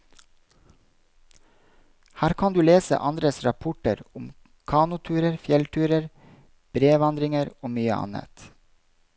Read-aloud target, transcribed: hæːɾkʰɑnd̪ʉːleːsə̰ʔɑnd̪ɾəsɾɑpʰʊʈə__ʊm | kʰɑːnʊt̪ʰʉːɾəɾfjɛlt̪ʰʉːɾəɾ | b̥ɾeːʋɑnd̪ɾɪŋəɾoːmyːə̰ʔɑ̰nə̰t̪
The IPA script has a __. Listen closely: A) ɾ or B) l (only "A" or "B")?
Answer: A